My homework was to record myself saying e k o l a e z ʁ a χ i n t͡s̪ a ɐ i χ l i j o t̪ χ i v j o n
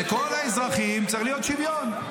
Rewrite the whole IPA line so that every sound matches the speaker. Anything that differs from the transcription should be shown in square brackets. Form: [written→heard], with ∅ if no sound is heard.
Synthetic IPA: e k o l a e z ʁ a χ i [n→m] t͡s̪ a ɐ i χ l i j o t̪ [χ→ʃ] i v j o n

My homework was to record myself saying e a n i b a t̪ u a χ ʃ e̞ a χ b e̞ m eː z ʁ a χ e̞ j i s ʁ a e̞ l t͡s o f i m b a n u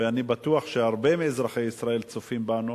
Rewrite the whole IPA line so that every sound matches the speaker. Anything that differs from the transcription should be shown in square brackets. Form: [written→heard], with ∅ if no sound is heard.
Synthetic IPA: e a n i b a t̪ u a χ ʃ e̞ a [χ→ʁ] b e̞ m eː z ʁ a χ e̞ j i s ʁ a e̞ l t͡s o f i m b a n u

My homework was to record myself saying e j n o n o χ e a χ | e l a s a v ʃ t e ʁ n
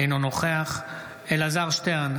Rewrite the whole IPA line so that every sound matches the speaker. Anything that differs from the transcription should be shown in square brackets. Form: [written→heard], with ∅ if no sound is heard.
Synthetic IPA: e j n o n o χ e a χ | e l a [s→z] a [v→ʁ] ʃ t e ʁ n

